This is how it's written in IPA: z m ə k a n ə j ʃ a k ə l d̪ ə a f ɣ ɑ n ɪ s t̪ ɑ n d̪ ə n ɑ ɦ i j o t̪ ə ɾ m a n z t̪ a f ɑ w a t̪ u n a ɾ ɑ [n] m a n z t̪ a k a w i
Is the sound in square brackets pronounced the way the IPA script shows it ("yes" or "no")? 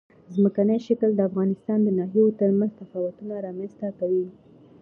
no